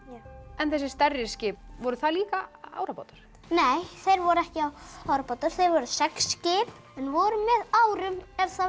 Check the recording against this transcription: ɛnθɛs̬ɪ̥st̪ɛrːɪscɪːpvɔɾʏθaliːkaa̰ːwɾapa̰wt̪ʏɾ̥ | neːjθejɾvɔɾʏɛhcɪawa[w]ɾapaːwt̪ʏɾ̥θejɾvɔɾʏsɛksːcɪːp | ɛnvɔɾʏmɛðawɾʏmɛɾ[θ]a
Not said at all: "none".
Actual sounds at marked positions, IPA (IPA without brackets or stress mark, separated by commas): w, θ